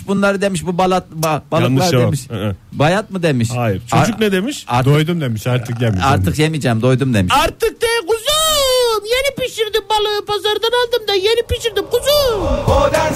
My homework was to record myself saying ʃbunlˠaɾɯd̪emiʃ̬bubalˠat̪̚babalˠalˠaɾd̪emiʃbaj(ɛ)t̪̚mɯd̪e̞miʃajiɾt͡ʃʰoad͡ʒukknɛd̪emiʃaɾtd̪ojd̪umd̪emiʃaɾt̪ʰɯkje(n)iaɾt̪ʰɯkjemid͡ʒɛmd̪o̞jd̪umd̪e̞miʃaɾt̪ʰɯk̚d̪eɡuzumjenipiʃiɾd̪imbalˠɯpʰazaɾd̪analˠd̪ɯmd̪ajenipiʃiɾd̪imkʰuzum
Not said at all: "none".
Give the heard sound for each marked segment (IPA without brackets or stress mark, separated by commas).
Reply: a, m